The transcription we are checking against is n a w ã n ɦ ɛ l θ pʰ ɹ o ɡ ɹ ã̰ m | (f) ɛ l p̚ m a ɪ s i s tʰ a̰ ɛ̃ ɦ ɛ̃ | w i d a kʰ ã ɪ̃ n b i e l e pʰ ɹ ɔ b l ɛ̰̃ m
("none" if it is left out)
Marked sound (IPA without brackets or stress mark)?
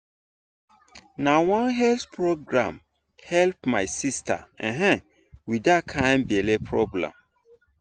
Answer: h